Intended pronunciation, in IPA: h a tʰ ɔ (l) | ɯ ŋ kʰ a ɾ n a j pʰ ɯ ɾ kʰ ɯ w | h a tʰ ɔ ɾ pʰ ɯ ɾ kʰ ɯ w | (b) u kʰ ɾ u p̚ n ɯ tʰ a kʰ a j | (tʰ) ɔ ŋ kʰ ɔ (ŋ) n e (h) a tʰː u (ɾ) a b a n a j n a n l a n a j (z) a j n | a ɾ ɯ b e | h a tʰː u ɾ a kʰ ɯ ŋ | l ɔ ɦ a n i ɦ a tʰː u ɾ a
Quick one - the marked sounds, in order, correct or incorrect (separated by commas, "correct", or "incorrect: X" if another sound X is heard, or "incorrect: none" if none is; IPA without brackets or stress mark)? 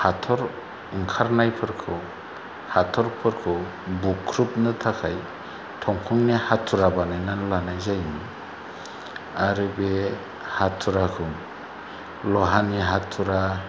incorrect: ɾ, correct, correct, correct, correct, correct, correct